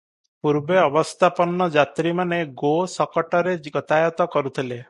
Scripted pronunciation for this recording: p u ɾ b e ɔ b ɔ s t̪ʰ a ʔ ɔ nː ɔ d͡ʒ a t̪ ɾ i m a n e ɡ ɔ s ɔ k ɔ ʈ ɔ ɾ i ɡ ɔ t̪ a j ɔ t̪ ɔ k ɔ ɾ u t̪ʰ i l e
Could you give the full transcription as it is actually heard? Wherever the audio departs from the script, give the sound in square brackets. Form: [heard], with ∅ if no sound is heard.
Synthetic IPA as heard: p u ɾ b e ɔ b ɔ s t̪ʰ a [p] ɔ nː ɔ d͡ʒ a t̪ ɾ i m a n e ɡ [o] s ɔ k ɔ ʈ ɔ ɾ [e] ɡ ɔ t̪ a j ɔ t̪ ɔ k ɔ ɾ u t̪ʰ i l e

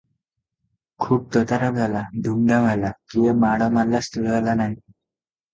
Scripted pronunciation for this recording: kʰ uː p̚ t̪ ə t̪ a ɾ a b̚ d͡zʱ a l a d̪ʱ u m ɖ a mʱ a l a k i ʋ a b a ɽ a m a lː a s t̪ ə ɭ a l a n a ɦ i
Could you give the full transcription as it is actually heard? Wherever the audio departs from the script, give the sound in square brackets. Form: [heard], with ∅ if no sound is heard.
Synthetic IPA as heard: kʰ uː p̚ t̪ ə t̪ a ɾ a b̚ d͡zʱ a l a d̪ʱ u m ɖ a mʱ a l a k i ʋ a [m] a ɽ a m a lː a s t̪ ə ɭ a l a n a ɦ i

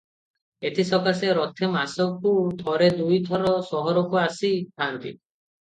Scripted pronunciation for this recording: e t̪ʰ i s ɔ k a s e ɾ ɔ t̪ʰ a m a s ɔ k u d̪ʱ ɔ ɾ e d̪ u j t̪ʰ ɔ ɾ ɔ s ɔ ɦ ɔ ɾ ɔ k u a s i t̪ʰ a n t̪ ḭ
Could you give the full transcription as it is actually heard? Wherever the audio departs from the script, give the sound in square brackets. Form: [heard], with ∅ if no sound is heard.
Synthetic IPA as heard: e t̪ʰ i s ɔ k a s e ɾ ɔ t̪ʰ [e] m a s ɔ k u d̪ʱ ɔ ɾ e d̪ u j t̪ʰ ɔ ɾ ɔ s ɔ ɦ ɔ ɾ ɔ k u a s i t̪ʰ a n t̪ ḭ

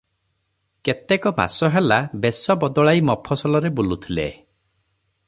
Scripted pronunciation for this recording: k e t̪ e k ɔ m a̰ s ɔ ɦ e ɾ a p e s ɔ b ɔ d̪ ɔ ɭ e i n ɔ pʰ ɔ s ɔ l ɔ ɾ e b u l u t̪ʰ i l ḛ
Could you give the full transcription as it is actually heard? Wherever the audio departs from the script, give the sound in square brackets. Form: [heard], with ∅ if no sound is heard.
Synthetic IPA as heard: k e t̪ e k ɔ m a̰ s ɔ ɦ e [l] a [b] e s ɔ b ɔ d̪ ɔ ɭ [a] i [m] ɔ pʰ ɔ s ɔ l ɔ ɾ e b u l u t̪ʰ i l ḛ

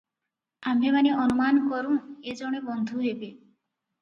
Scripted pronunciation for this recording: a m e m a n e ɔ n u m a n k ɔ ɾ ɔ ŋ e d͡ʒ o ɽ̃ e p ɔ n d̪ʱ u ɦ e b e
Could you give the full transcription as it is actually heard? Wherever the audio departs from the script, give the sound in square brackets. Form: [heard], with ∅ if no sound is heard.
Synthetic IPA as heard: a m e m a n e ɔ n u m a n k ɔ ɾ [u] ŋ e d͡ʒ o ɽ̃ e [b] ɔ n d̪ʱ u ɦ e b e

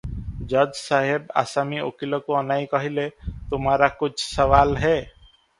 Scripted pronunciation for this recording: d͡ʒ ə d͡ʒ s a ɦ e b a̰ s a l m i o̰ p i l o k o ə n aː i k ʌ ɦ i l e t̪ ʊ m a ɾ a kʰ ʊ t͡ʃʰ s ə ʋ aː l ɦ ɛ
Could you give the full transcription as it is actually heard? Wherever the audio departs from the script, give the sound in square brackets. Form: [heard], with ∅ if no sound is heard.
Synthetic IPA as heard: d͡ʒ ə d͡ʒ s a ɦ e b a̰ s a [∅] m i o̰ [k] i l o k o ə n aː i k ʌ ɦ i l e t̪ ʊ m a ɾ a [k] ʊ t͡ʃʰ s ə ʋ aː l ɦ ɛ

